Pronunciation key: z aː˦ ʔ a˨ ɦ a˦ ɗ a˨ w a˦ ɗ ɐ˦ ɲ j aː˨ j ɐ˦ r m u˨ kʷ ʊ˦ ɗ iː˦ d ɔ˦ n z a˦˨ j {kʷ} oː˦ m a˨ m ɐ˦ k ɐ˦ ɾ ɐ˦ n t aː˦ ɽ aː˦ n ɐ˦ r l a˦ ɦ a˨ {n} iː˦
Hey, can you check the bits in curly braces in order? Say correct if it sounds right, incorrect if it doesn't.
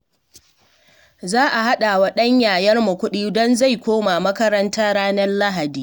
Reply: correct, incorrect: d

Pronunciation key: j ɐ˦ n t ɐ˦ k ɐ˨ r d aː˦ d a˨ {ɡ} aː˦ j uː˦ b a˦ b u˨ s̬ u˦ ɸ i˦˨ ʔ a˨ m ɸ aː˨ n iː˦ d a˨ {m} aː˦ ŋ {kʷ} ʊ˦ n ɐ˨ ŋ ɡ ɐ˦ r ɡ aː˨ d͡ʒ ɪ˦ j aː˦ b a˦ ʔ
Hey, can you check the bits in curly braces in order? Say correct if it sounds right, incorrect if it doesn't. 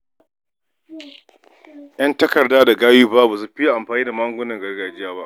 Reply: correct, correct, incorrect: ɡʷ

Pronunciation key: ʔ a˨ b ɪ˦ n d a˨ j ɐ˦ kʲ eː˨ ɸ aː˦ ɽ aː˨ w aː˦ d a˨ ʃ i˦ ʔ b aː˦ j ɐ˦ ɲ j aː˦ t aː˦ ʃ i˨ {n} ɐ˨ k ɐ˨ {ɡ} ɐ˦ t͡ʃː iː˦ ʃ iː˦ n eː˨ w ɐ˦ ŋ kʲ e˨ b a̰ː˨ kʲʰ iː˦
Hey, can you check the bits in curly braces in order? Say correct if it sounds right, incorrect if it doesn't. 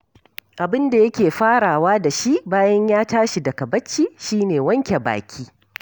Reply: incorrect: d, incorrect: b

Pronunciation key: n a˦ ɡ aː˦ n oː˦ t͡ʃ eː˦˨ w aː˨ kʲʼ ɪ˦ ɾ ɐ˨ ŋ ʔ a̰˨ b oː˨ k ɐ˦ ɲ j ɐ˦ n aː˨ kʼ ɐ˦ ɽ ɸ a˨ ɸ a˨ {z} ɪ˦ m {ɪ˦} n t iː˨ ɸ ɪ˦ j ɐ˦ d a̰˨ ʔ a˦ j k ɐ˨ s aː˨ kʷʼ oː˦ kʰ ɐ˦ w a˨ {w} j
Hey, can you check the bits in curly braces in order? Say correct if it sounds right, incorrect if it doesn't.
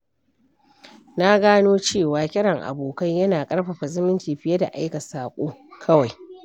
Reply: correct, correct, incorrect: none

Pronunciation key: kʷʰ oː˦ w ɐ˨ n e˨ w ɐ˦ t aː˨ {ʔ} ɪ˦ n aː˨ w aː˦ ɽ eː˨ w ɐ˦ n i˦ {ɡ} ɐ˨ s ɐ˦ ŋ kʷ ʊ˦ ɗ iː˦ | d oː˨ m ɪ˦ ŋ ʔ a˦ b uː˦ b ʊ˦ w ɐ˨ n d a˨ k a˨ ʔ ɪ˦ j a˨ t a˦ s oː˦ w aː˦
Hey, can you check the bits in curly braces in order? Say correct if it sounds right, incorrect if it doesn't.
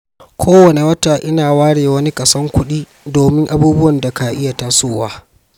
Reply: correct, incorrect: k

